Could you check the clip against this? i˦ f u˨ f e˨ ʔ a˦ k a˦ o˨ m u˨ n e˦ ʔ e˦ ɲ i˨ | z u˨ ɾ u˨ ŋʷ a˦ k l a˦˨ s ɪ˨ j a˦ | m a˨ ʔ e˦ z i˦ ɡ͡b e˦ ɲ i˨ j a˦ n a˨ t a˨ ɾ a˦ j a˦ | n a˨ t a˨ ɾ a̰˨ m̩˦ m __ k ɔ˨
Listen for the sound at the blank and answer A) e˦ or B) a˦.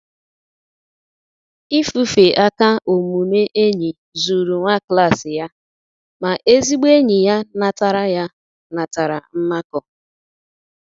B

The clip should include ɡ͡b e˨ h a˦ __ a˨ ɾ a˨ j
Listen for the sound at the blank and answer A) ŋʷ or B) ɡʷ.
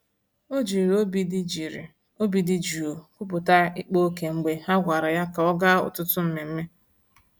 B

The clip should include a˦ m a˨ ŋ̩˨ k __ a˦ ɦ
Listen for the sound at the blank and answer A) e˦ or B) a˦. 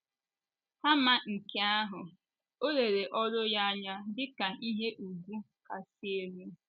A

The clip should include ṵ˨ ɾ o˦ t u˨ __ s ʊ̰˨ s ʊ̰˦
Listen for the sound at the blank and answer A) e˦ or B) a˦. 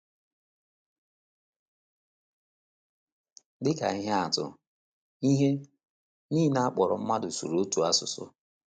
B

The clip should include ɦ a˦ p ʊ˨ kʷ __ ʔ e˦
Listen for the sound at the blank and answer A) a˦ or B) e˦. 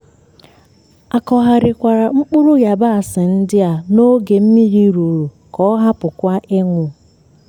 A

